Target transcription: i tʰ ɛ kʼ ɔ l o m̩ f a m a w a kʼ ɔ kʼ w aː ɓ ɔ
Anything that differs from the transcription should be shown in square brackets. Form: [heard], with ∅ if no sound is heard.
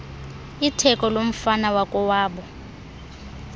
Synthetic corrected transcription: i tʰ ɛ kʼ ɔ l o m̩ f a [n] a w a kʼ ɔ [∅] w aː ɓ ɔ